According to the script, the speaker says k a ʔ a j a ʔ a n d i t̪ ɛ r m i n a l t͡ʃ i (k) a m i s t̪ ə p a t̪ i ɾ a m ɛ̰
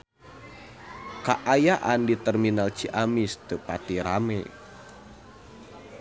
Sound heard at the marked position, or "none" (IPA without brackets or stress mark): ʔ